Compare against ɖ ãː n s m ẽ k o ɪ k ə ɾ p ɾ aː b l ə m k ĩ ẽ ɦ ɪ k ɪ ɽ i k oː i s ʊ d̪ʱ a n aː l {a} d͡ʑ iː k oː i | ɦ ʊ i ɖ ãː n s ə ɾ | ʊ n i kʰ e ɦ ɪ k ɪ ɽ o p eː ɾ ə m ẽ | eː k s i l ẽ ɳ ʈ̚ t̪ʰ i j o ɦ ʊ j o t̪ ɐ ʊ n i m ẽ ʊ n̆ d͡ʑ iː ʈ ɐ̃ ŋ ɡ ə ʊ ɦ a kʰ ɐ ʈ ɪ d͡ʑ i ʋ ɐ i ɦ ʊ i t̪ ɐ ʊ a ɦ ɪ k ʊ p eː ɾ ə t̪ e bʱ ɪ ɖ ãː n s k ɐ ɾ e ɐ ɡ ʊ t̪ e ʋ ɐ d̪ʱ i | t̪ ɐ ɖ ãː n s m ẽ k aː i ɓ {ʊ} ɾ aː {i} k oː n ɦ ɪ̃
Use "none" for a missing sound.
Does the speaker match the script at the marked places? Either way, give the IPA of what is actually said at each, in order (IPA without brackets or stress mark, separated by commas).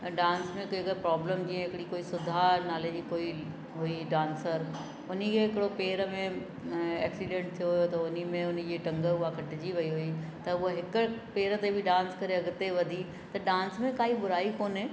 e, ʊ, i